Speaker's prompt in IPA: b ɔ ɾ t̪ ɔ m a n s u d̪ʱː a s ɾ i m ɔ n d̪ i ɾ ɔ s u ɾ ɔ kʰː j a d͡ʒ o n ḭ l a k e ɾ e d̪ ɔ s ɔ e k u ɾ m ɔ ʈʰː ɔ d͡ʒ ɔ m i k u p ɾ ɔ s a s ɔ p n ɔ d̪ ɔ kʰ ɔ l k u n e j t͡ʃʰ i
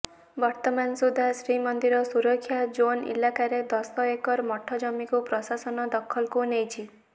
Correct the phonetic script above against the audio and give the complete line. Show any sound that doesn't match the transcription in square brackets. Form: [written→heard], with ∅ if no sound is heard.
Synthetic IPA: b ɔ ɾ t̪ ɔ m a n s u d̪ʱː a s ɾ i m ɔ n d̪ i ɾ ɔ s u ɾ ɔ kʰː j a d͡ʒ o n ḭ l a k [e→a] ɾ e d̪ ɔ s ɔ e k [u→ɔ] ɾ m ɔ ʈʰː ɔ d͡ʒ ɔ m i k u p ɾ ɔ s a s ɔ [p→∅] n ɔ d̪ ɔ kʰ ɔ l k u n e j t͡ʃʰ i